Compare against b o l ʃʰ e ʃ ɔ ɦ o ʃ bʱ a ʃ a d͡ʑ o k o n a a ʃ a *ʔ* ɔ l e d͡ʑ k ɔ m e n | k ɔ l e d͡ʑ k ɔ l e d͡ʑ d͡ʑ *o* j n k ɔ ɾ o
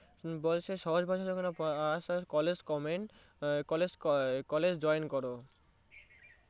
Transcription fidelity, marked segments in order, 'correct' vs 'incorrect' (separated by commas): incorrect, incorrect